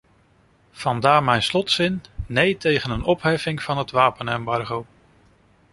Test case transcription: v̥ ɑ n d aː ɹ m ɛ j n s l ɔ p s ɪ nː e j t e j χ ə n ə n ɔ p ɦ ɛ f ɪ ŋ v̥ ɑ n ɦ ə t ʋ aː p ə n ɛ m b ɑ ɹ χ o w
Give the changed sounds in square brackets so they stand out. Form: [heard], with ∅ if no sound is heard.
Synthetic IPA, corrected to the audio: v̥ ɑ n d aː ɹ m ɛ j n s l ɔ [t] s ɪ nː e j t e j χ ə n ə n ɔ p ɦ ɛ f ɪ ŋ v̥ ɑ n ɦ ə t ʋ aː p ə n ɛ m b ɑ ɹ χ o w

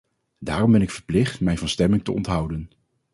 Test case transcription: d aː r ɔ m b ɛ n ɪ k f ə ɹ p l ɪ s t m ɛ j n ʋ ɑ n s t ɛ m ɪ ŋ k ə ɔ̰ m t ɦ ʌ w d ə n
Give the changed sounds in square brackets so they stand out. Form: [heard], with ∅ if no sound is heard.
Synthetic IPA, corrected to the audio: d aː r ɔ m b ɛ n ɪ k f ə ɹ p l ɪ [χ] t m ɛ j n [v] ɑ n s t ɛ m ɪ ŋ [t] ə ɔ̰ [n] t ɦ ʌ w d ə n

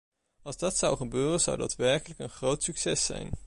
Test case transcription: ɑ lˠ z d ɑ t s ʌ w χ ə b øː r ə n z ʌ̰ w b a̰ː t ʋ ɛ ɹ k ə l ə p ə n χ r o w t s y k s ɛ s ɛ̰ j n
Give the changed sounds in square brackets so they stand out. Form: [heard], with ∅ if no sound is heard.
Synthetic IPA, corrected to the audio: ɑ lˠ z d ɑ t s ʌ w χ ə b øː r ə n z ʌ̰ w [d] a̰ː t ʋ ɛ ɹ k ə l ə [k] ə n χ r o w t s y k s ɛ s ɛ̰ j n

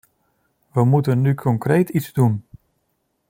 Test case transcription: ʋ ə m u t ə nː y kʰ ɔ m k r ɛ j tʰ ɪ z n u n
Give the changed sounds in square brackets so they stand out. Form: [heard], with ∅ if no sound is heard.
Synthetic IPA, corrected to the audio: ʋ ə m u t ə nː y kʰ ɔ [ŋ] k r [e] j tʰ [i] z [d] u n

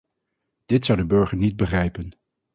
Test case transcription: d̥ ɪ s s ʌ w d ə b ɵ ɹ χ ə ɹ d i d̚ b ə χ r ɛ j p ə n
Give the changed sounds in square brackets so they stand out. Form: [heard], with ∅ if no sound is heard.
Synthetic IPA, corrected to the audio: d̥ ɪ [t] s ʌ w d ə b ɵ ɹ χ ə ɹ [n] i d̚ b ə χ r ɛ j p ə n

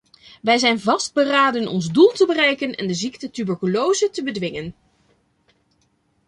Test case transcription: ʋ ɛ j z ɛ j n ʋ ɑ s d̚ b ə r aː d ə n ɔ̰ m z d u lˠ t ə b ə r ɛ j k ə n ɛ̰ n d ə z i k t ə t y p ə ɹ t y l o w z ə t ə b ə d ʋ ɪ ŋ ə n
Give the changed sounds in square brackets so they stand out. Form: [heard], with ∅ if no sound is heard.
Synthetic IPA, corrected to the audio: ʋ ɛ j z ɛ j n [v] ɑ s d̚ b ə r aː d ə n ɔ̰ [n] z d u lˠ t ə b ə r ɛ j k ə n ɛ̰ n d ə z i k t ə t y [b] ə ɹ [k] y l o w z ə t ə b ə d ʋ ɪ ŋ ə n

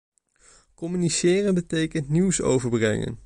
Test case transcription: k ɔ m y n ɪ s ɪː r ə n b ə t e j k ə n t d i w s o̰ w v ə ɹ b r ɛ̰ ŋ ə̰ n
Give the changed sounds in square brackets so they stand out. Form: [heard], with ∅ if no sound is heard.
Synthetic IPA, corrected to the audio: k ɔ m y n [i] s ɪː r ə n b ə t e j k ə n t [n] i w s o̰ w v ə ɹ b r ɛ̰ ŋ ə̰ n

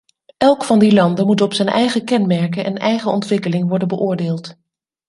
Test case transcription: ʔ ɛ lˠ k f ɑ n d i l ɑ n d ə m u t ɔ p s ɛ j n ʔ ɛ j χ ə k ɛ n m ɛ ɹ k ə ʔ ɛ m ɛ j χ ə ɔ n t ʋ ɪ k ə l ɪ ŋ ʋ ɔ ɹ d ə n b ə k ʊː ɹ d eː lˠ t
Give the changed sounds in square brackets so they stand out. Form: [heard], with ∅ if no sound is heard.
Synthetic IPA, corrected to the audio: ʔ ɛ lˠ k f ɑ n d i l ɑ n d ə m u t ɔ p s ɛ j n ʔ ɛ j χ ə k ɛ n m ɛ ɹ k ə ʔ ɛ [n] ɛ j χ ə ɔ n t ʋ ɪ k ə l ɪ ŋ ʋ ɔ ɹ d ə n b ə [ʔ] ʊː ɹ d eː lˠ t

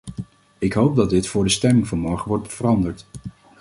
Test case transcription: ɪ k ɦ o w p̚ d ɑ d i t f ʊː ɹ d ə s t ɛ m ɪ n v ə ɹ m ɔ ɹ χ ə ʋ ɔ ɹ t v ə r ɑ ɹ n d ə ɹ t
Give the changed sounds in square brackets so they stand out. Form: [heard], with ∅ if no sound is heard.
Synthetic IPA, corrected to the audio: ɪ k ɦ o w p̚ d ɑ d [ɪ] t f ʊː ɹ d ə s t ɛ m ɪ [ŋ] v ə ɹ m ɔ ɹ χ ə ʋ ɔ ɹ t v ə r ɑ [∅] n d ə ɹ t

